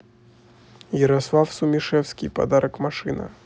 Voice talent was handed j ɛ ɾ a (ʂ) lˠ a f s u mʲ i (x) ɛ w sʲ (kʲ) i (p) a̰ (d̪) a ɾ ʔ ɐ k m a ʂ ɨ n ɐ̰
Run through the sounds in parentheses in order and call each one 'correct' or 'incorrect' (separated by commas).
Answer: incorrect, incorrect, correct, correct, correct